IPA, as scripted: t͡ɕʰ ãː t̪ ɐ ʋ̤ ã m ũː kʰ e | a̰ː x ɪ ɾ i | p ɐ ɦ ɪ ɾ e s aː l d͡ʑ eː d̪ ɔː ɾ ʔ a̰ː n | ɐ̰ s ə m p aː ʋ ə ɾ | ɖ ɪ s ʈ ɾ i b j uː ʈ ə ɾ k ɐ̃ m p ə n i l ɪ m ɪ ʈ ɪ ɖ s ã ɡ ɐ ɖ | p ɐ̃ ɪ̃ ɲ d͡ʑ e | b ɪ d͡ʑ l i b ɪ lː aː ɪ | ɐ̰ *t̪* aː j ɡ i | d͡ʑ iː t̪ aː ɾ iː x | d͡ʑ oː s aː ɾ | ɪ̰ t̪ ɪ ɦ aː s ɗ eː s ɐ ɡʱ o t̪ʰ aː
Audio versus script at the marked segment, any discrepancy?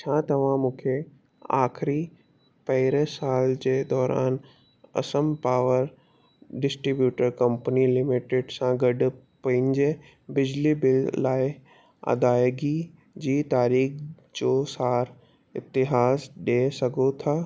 yes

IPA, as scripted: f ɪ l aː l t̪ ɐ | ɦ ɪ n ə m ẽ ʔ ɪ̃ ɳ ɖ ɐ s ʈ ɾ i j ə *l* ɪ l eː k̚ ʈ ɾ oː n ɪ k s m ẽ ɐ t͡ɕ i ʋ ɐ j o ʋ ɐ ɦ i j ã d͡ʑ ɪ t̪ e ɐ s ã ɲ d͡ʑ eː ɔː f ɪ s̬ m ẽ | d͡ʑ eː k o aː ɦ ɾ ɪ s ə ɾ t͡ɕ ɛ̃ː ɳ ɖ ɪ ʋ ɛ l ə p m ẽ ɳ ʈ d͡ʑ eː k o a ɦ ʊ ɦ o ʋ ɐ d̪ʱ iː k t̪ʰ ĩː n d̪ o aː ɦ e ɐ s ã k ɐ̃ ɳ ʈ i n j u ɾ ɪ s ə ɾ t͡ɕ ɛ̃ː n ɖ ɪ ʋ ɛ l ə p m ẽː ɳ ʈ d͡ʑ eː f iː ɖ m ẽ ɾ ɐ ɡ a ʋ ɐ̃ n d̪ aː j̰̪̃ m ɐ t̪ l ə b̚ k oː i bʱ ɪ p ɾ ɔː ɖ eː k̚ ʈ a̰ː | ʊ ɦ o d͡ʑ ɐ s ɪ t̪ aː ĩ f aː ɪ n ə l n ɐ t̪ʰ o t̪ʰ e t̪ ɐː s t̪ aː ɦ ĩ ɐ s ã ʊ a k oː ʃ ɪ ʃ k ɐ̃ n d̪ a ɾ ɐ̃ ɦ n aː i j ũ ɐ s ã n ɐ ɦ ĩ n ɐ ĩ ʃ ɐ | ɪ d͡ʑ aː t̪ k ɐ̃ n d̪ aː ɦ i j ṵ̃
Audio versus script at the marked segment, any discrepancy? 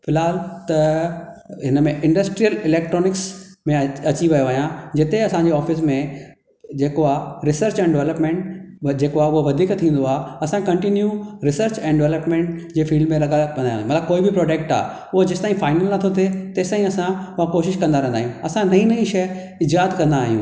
no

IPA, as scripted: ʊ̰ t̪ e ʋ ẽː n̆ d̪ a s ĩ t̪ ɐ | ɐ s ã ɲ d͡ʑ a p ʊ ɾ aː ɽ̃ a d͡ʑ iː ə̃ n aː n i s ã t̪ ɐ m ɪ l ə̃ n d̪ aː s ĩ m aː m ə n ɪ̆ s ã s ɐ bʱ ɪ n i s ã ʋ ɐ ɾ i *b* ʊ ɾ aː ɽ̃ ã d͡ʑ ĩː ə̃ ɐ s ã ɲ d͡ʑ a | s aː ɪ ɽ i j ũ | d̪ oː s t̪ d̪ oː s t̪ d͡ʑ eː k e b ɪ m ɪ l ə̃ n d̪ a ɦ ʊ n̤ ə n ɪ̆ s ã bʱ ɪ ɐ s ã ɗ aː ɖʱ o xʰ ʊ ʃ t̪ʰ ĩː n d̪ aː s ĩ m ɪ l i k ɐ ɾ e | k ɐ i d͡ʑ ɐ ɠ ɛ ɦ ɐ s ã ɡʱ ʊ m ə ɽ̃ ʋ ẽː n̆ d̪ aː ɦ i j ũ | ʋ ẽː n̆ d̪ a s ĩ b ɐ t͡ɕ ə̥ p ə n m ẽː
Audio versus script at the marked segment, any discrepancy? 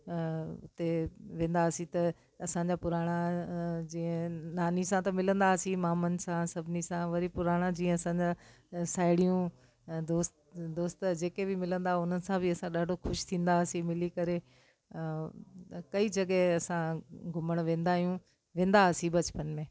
yes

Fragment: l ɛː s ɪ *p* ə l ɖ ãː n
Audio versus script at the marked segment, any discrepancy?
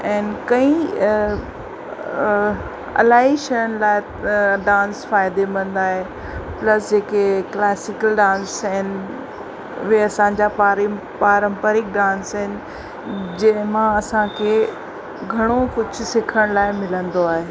yes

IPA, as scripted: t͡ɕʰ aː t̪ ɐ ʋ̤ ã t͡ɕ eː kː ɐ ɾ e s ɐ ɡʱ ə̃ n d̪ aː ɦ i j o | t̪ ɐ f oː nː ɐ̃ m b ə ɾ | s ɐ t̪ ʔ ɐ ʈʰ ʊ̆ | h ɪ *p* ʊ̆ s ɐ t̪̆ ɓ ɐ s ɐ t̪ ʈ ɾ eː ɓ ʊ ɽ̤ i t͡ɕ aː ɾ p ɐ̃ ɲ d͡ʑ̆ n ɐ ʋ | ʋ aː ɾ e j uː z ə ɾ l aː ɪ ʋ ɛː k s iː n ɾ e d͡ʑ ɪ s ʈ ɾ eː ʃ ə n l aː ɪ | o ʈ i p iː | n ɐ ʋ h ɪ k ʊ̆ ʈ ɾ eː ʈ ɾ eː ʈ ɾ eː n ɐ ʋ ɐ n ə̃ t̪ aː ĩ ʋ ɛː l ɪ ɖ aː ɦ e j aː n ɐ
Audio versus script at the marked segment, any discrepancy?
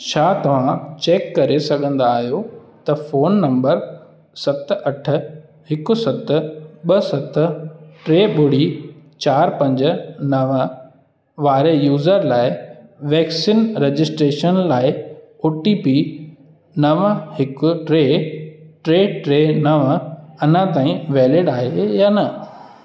yes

